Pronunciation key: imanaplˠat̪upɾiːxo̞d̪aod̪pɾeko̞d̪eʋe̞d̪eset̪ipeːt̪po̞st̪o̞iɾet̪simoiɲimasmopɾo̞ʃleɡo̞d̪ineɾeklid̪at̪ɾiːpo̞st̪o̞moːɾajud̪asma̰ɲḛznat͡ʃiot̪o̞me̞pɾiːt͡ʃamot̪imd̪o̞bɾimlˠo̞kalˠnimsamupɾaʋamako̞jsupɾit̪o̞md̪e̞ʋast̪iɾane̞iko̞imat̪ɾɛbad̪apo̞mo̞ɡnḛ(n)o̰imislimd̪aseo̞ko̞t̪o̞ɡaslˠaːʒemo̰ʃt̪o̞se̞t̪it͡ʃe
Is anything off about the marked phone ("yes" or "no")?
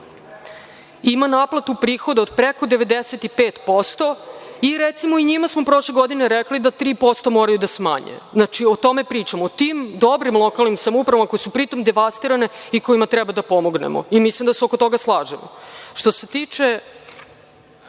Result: yes